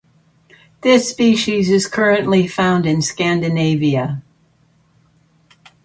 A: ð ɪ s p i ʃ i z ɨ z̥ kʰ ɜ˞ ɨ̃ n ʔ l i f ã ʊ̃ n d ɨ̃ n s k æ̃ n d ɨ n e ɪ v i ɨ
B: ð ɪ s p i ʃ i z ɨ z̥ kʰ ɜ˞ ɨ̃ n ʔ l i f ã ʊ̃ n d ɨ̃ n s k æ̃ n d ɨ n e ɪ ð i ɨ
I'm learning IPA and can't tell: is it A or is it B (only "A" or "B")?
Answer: A